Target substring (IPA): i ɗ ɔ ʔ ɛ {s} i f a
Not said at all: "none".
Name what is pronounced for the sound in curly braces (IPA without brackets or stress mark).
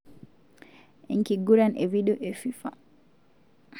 f